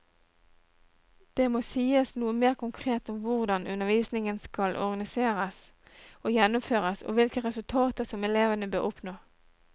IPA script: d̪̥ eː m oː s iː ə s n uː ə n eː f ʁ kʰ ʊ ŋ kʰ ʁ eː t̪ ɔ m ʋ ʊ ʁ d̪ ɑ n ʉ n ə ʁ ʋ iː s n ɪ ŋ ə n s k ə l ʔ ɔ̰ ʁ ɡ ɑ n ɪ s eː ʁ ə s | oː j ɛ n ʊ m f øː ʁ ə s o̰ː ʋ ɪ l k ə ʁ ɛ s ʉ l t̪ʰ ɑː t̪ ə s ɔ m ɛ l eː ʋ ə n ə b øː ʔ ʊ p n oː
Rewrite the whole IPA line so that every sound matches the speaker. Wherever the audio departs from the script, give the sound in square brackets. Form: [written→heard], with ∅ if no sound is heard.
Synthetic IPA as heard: d̪̥ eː m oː s iː ə s n uː ə [n→m] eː [f→∅] ʁ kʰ ʊ ŋ kʰ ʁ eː t̪ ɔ m ʋ ʊ ʁ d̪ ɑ n ʉ n ə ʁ ʋ iː s n ɪ ŋ ə n s k [ə→ɑ] l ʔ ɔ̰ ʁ ɡ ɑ n ɪ s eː ʁ ə s | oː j ɛ n ʊ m f øː ʁ ə s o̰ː ʋ ɪ l k ə ʁ ɛ s ʉ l t̪ʰ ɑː t̪ ə s ɔ m ɛ l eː ʋ ə n ə b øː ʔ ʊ p n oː

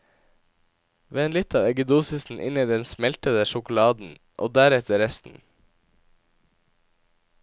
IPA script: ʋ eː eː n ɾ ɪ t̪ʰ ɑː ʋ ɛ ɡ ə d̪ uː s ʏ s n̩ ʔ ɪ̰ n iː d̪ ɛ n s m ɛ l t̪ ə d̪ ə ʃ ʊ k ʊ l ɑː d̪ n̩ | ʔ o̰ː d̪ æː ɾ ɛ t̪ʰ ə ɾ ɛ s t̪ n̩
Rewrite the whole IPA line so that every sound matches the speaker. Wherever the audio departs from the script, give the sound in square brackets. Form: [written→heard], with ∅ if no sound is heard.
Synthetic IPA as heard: ʋ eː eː n [ɾ→l] ɪ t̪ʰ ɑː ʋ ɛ ɡ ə d̪ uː s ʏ s n̩ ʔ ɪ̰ n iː d̪ ɛ n s m ɛ l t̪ ə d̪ ə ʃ ʊ k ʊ l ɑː d̪ n̩ | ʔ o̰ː d̪ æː ɾ ɛ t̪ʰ ə ɾ ɛ s t̪ n̩

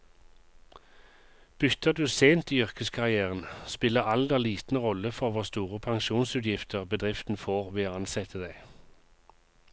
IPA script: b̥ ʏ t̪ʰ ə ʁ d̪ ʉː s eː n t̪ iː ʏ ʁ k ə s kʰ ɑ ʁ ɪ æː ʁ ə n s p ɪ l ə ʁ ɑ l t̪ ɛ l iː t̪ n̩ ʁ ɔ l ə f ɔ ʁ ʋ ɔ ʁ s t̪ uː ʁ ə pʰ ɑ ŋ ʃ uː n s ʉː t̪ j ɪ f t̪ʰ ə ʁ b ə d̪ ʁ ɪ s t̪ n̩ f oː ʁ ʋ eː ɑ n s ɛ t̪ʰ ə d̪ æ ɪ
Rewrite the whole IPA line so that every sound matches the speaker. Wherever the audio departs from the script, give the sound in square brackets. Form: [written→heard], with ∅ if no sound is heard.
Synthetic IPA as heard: b̥ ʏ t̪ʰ ə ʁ d̪ ʉː s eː n t̪ iː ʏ ʁ k ə s kʰ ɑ ʁ ɪ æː ʁ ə n s p ɪ l ə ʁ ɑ l [t̪→d̪] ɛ l iː t̪ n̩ ʁ ɔ l ə f ɔ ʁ ʋ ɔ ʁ s t̪ uː ʁ ə pʰ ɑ ŋ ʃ uː n s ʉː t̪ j ɪ f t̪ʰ ə ʁ b ə d̪ ʁ ɪ [s→f] t̪ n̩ f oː ʁ ʋ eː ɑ n s ɛ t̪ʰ ə d̪ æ ɪ

